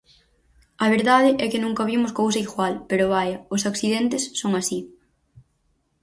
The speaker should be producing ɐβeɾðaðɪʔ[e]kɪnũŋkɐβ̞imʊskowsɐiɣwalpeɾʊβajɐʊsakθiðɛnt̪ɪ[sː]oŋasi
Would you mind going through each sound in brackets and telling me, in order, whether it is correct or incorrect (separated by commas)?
incorrect, correct